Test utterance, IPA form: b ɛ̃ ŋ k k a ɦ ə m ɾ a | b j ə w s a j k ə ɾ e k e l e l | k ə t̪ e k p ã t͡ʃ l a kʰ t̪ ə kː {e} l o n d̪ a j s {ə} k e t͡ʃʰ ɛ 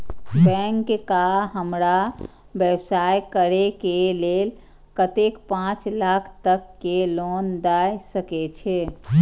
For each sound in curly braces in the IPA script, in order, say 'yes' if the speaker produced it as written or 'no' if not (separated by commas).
yes, yes